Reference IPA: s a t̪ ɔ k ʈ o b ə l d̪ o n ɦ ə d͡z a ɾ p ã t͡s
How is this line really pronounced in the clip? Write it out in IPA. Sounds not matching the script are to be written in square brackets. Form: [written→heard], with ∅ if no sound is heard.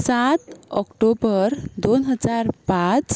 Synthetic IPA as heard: s a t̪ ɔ k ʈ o b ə [l→ɾ] d̪ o n ɦ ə d͡z a ɾ p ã t͡s

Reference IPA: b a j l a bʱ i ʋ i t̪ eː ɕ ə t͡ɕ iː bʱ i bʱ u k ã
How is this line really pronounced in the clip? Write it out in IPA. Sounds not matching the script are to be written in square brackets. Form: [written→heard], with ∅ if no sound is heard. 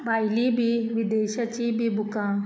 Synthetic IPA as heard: b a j l [a→i] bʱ i ʋ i [t̪→d̪] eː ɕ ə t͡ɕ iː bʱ i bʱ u k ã

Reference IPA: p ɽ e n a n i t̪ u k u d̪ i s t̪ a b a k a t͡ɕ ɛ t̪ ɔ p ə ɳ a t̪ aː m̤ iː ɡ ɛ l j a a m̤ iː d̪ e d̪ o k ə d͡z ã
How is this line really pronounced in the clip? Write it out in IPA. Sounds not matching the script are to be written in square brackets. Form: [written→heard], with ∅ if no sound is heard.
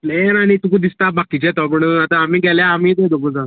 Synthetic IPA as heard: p [ɽ→l] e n a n i t̪ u k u d̪ i s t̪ a b a k [a→i] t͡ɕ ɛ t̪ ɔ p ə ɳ a t̪ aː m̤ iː ɡ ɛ l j a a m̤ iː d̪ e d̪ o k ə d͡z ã

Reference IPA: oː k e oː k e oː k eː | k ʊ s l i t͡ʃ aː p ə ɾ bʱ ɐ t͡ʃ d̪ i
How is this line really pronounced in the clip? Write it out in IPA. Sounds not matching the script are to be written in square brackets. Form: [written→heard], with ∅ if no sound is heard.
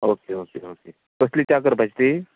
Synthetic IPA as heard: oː k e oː k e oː k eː | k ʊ s l i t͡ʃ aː [p→k] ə ɾ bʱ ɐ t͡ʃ [d̪→t̪] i

